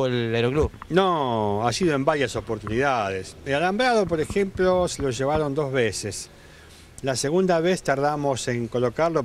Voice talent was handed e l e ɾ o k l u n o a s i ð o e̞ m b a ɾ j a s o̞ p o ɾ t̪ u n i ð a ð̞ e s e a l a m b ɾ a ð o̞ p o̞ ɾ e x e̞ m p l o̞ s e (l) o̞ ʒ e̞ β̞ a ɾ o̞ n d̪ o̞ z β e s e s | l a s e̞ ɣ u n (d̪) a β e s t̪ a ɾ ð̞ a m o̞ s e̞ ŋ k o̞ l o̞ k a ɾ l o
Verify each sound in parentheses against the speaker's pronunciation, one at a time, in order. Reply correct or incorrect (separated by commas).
correct, correct